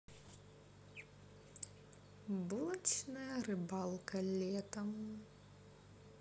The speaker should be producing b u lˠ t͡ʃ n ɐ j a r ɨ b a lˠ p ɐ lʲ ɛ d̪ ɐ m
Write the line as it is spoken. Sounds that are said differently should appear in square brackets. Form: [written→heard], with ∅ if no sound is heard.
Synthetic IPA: b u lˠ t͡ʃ n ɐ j [a→ɐ] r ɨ b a lˠ [p→k] ɐ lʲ ɛ [d̪→t̪] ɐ m